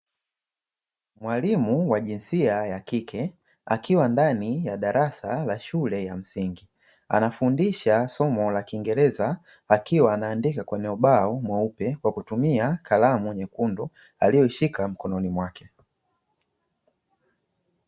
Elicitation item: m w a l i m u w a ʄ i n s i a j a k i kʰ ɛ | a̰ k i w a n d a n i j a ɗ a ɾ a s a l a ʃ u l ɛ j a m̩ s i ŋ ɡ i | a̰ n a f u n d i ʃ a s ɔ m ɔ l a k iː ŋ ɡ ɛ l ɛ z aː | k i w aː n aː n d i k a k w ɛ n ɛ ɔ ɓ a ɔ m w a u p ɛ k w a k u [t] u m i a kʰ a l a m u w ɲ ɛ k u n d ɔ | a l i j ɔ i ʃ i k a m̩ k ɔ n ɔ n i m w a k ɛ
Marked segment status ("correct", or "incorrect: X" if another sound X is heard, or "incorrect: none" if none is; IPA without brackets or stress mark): correct